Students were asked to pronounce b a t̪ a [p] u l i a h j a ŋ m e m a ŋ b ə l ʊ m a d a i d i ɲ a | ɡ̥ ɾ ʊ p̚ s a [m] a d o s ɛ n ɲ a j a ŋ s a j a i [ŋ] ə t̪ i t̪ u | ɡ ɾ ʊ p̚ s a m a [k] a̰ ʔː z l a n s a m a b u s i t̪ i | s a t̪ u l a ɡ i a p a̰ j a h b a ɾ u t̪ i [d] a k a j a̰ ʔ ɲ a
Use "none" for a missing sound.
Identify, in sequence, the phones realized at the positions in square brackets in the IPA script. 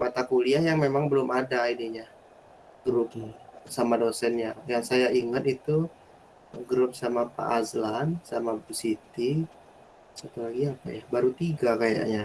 k, m, ŋ, p, ɡ

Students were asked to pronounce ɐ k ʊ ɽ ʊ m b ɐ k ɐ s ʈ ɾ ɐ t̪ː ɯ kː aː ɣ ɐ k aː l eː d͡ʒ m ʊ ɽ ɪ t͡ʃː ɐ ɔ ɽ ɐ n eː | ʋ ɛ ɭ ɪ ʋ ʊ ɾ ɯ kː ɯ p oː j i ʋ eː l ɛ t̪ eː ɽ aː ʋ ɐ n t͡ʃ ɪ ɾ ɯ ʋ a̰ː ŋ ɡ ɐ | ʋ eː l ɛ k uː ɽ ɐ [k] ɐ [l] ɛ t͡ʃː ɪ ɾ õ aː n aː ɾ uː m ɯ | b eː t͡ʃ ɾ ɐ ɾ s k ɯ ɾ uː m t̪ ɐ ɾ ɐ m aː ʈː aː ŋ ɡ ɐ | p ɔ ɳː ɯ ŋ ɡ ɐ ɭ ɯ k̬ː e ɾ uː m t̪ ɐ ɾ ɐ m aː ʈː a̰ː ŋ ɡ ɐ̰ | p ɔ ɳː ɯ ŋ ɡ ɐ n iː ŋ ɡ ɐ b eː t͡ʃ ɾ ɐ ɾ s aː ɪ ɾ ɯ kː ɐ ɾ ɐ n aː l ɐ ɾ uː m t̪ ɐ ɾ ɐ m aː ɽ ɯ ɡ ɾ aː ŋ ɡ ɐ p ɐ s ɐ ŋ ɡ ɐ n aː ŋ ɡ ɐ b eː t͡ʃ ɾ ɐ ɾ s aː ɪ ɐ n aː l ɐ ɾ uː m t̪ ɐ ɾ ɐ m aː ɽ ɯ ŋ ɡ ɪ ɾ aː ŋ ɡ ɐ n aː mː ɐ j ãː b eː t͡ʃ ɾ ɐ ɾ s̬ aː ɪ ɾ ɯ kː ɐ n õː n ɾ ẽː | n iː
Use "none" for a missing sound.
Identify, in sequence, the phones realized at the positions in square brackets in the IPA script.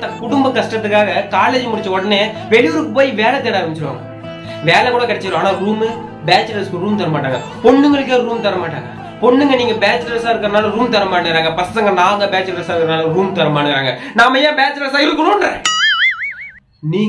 k, ɽ

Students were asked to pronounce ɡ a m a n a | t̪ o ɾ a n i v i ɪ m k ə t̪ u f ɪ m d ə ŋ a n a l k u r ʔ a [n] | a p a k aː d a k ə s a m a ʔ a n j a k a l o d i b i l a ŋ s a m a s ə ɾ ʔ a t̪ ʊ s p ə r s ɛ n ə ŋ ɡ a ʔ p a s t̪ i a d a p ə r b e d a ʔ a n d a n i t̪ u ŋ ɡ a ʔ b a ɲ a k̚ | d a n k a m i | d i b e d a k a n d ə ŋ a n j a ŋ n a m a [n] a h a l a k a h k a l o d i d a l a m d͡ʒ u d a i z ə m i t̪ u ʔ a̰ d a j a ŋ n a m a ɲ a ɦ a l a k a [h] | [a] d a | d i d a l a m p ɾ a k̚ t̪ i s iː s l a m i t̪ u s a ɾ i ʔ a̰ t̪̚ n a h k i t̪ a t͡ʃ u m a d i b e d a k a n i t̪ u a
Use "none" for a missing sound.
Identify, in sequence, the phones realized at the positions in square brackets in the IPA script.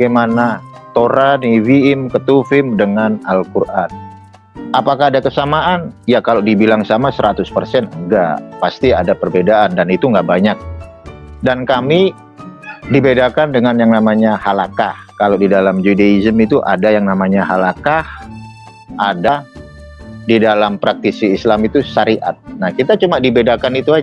n, ɲ, h, a

